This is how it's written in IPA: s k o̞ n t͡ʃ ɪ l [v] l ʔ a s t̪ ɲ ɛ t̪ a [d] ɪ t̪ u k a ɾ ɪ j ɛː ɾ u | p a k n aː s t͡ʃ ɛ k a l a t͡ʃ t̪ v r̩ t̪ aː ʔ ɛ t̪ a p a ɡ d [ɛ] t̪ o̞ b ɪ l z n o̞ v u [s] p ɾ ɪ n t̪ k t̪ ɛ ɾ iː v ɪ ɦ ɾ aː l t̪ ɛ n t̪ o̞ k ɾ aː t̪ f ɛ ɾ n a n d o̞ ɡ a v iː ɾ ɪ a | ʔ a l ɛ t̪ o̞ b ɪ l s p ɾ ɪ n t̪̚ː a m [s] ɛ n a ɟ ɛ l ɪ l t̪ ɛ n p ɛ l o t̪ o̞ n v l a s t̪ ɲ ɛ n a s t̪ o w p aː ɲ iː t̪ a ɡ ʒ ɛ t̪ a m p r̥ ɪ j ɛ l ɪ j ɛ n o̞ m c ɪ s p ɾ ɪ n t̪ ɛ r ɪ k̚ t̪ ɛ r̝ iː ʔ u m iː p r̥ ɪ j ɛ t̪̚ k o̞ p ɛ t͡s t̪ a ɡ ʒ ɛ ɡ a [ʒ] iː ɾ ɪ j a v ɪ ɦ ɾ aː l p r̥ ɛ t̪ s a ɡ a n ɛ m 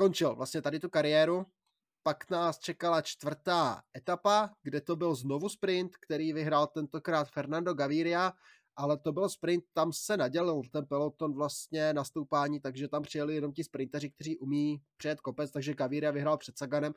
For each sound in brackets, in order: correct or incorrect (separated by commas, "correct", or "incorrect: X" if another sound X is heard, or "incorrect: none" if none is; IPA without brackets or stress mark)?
correct, correct, correct, correct, correct, incorrect: v